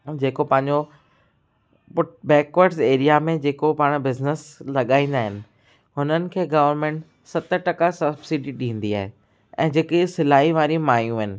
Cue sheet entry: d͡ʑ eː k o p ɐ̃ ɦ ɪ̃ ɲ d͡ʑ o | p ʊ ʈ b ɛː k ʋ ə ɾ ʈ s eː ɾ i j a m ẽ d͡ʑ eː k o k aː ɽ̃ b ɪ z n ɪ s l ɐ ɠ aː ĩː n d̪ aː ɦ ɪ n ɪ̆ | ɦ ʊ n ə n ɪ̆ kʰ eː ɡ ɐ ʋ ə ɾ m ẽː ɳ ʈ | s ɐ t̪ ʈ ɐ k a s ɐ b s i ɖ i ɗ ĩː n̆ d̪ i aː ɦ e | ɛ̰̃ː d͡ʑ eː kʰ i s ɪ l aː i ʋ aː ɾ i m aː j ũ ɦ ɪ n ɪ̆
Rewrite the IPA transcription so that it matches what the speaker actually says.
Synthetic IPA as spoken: d͡ʑ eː k o p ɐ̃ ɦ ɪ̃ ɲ d͡ʑ o | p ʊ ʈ b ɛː k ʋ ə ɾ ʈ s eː ɾ i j a m ẽ d͡ʑ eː k o p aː ɽ̃ b ɪ z n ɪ s l ɐ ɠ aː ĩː n d̪ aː ɦ ɪ n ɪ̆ | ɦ ʊ n ə n ɪ̆ kʰ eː ɡ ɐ ʋ ə ɾ m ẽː ɳ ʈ | s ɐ t̪ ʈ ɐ k a s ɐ b s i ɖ i ɗ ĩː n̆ d̪ i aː ɦ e | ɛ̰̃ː d͡ʑ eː k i s ɪ l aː i ʋ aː ɾ i m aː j ũ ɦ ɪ n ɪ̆